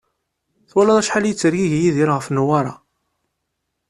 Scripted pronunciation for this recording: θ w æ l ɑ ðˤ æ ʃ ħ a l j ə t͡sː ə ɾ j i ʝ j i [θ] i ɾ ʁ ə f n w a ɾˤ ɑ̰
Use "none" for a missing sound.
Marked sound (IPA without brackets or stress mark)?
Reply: ð